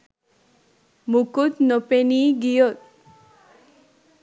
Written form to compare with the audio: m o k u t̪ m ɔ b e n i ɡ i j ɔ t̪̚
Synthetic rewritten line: m u k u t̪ n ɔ p e n i ɡ i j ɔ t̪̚